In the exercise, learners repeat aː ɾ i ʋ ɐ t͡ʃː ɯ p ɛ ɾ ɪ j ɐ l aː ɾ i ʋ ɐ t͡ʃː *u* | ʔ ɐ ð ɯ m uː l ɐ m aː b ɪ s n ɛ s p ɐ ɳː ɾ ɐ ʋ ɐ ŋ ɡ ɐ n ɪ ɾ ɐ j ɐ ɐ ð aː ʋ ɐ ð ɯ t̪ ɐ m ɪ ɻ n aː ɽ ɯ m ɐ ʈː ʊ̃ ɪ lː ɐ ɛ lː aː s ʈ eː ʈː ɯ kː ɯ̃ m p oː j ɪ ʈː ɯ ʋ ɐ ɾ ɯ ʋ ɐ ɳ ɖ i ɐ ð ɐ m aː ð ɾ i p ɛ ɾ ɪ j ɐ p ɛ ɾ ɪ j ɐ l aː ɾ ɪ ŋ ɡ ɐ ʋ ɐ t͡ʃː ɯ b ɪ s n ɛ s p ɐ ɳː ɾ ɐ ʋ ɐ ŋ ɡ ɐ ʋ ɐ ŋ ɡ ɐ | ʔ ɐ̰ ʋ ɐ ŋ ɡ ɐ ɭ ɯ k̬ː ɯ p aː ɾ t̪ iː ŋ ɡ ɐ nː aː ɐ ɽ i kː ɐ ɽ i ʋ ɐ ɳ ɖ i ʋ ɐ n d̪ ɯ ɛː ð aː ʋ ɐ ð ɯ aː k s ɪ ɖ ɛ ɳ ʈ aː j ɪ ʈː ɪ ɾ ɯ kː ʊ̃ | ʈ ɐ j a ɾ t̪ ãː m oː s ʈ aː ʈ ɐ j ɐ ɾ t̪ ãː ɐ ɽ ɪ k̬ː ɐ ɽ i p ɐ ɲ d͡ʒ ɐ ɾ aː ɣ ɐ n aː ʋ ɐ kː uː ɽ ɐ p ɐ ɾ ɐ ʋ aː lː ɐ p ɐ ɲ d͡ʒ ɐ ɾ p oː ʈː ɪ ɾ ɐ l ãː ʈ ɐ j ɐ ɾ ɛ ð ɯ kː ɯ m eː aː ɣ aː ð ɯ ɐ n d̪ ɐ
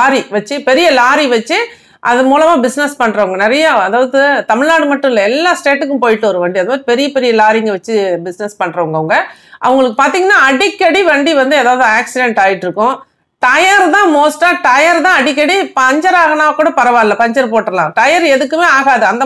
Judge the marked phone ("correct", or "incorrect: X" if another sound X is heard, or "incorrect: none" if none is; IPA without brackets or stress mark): incorrect: ɯ